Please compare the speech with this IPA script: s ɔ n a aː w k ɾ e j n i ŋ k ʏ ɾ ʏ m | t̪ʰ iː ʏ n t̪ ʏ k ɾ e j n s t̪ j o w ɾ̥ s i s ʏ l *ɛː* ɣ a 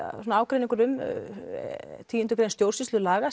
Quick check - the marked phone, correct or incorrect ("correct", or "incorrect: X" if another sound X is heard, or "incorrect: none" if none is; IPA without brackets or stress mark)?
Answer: incorrect: aː